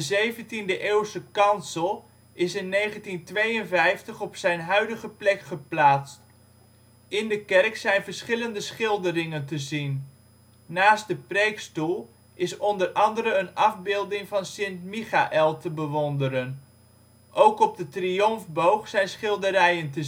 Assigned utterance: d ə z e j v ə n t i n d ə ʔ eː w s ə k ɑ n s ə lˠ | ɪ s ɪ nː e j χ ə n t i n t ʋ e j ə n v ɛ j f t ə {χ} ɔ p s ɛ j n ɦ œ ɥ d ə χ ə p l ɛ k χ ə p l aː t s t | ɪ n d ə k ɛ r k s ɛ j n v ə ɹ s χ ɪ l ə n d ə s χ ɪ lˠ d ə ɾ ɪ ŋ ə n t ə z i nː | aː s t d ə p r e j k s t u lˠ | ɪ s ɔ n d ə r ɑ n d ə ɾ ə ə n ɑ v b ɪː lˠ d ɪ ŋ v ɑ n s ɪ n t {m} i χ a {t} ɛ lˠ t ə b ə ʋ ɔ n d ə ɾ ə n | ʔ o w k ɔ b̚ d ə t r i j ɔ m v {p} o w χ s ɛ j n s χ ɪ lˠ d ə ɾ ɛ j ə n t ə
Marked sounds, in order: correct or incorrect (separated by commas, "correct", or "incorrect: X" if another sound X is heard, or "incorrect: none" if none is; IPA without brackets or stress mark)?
correct, correct, incorrect: ʔ, incorrect: b